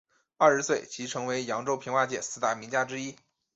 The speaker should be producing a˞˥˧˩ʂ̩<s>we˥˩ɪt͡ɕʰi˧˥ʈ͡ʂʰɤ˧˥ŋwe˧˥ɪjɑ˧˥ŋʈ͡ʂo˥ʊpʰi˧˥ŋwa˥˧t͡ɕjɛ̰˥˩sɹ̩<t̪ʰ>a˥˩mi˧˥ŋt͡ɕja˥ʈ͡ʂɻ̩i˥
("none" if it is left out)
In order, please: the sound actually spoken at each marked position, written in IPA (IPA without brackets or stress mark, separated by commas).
s, t̪